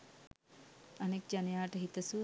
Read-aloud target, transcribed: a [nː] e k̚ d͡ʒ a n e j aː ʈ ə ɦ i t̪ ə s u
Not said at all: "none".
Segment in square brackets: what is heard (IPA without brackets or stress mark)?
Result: n